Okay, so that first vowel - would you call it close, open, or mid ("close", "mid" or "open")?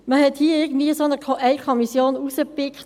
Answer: mid